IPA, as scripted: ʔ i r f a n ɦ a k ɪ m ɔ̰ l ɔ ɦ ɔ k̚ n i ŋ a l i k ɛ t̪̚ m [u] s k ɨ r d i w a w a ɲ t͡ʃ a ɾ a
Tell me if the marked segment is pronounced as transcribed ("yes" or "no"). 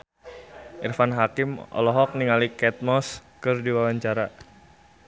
no